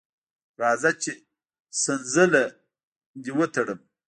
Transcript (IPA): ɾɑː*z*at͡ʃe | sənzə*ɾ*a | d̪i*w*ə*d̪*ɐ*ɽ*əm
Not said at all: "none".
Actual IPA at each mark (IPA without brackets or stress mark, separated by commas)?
z, l, w, t̪, ɽ